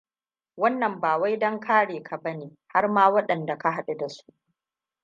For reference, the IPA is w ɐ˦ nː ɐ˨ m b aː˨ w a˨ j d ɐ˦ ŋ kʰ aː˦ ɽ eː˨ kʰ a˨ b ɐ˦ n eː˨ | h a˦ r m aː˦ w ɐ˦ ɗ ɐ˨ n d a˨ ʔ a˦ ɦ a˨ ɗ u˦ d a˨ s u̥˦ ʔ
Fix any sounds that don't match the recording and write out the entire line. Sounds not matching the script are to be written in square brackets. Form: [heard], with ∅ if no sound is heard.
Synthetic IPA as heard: w ɐ˦ nː ɐ˨ m b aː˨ w [a˦] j d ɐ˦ ŋ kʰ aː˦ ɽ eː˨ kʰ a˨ b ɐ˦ n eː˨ | h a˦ r m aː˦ w ɐ˦ ɗ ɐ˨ n d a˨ [k] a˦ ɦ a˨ ɗ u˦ d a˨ s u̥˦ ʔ